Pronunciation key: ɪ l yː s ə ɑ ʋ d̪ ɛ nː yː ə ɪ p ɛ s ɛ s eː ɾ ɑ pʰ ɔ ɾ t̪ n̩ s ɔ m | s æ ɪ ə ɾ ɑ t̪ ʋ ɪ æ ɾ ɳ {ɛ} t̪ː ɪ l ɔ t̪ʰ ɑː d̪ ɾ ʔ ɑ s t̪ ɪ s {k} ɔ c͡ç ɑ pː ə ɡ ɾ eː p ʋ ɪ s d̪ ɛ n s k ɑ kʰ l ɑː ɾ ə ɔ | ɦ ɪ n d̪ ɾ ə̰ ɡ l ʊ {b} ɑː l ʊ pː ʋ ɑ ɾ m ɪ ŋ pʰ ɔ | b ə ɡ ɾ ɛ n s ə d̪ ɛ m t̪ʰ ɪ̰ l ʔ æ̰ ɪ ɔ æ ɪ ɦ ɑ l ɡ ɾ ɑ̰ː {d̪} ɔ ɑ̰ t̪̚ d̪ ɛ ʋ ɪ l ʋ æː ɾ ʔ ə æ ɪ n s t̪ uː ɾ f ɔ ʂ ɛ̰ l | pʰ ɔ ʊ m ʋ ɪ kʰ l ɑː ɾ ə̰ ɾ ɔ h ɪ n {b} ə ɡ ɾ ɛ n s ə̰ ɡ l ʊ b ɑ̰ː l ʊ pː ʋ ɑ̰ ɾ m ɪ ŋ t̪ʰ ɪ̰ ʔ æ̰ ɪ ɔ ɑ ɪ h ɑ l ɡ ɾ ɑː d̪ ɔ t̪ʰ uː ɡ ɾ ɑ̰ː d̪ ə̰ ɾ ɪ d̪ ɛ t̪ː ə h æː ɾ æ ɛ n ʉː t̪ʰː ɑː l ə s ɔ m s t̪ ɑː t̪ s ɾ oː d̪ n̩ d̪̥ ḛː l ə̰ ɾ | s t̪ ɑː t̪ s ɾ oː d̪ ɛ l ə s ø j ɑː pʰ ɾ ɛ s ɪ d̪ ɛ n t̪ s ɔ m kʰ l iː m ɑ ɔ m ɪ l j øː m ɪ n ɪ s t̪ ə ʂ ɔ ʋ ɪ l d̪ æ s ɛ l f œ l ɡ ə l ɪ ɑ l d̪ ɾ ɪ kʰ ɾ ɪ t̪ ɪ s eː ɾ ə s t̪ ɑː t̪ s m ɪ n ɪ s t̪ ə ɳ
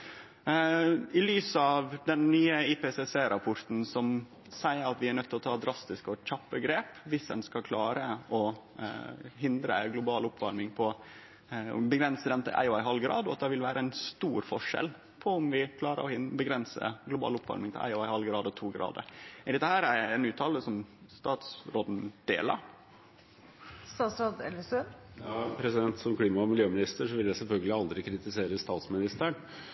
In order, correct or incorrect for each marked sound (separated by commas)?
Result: incorrect, correct, correct, correct, correct